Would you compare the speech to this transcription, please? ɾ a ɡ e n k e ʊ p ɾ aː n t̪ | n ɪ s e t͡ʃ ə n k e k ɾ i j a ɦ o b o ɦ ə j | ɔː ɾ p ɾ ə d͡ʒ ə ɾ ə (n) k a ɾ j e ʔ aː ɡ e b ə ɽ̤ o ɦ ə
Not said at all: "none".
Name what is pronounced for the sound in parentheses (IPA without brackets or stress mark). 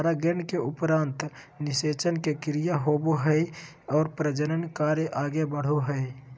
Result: n